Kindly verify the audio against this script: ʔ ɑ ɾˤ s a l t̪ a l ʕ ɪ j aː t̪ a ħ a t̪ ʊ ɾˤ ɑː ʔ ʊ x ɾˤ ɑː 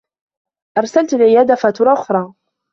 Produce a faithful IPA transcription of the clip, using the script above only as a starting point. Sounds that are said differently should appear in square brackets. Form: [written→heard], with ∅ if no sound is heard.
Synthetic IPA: ʔ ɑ ɾˤ s a l t̪ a l ʕ ɪ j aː [t̪→d̪] a [ħ→f] a t̪ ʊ ɾˤ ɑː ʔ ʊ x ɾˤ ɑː